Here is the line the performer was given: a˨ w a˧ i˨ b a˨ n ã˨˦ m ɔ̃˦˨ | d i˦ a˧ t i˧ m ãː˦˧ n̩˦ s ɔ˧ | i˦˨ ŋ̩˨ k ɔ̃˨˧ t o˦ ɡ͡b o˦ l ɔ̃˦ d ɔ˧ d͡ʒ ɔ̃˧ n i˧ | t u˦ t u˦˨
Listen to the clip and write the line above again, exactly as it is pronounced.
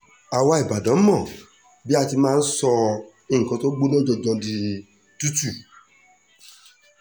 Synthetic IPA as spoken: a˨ w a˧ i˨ b a˨ d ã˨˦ m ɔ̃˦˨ | b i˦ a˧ t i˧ m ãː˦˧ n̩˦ s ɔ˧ | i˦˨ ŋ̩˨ k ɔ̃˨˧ t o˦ ɡ͡b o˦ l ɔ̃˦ d͡ʒ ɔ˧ d͡ʒ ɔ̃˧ d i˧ | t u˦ t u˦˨

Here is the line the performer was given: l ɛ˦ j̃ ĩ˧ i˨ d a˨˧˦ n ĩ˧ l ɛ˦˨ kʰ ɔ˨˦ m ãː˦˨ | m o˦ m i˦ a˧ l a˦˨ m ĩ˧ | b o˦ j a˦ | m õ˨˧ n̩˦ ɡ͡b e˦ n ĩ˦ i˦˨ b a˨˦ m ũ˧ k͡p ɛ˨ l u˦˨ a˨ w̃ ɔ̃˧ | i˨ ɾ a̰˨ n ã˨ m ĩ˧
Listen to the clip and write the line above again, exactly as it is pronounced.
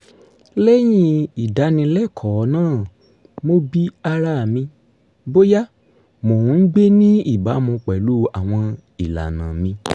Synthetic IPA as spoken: l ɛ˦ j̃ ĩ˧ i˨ d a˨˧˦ n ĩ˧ l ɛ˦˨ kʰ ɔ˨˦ n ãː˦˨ | m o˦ b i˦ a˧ ɾ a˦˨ m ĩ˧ | b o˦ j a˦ | m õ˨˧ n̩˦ ɡ͡b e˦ n ĩ˦ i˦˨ b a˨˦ m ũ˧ k͡p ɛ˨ l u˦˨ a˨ w̃ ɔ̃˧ | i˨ l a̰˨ n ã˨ m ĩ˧

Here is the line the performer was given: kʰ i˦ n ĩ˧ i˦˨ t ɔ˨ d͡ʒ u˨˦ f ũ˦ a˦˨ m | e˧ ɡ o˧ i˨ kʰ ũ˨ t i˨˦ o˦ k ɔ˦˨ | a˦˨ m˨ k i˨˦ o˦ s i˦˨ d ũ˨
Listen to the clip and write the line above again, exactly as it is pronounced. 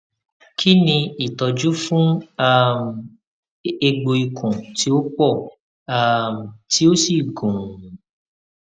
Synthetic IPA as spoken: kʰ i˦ n ĩ˧ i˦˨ t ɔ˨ d͡ʒ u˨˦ f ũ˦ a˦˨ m | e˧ ɡ͡b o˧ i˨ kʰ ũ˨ t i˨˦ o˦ k͡p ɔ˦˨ | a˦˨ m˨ t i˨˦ o˦ s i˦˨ ɡ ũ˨

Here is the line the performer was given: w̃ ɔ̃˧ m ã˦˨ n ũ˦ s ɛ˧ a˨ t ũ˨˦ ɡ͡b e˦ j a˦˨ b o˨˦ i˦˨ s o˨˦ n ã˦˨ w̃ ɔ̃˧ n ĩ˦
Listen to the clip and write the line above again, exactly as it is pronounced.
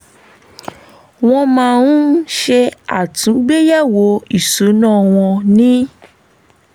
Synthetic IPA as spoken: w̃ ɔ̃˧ m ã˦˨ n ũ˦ ʃ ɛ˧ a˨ t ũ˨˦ ɡ͡b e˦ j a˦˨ w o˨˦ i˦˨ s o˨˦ n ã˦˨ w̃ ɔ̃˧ n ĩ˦

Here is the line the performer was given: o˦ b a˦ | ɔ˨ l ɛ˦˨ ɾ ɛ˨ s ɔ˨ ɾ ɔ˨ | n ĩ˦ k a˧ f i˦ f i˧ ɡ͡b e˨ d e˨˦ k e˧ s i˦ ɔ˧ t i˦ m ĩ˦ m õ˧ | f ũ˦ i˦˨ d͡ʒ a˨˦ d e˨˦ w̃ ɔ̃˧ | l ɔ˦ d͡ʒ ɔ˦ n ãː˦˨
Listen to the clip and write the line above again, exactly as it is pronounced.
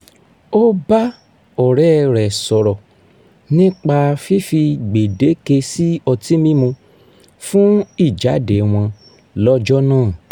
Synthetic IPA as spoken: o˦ b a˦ | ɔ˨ ɾ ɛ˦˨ ɾ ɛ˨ s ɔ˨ ɾ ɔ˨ | n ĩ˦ k͡p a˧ f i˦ f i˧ ɡ͡b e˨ d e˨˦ k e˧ s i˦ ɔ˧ t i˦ m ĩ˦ m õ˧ | f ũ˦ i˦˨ d͡ʒ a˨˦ d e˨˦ w̃ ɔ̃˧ | l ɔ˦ d͡ʒ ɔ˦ n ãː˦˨

